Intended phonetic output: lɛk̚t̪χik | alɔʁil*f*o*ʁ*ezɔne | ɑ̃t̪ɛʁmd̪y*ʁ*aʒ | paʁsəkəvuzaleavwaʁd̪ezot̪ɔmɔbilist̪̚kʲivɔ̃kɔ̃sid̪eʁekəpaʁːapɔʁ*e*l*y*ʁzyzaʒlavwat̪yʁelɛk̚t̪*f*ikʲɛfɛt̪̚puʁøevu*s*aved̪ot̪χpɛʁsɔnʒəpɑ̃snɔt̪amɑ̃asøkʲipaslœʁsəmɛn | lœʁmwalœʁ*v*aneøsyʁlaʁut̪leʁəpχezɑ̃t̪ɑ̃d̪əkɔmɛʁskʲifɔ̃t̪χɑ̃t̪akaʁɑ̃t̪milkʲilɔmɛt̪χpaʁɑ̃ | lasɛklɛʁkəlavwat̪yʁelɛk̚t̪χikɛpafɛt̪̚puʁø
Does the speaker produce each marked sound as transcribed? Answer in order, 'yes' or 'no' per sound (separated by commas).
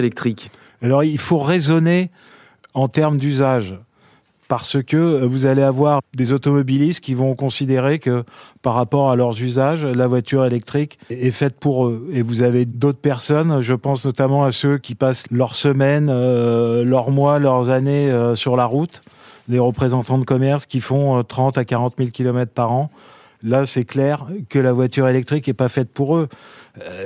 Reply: yes, yes, no, no, no, no, no, no